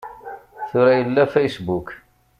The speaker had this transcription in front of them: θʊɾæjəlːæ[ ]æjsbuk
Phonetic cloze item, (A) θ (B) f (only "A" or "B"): B